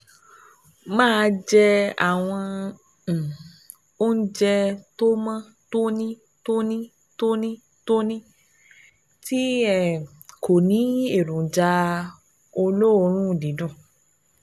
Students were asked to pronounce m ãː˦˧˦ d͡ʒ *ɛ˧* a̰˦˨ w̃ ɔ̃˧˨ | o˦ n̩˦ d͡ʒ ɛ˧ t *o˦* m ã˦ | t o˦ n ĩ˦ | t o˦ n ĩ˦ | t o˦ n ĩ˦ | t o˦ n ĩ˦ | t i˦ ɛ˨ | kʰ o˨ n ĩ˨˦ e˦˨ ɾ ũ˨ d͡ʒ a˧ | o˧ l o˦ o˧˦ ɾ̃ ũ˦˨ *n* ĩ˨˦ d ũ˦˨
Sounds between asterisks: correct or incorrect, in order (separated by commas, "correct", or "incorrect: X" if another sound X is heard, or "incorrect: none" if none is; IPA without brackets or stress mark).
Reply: correct, correct, incorrect: d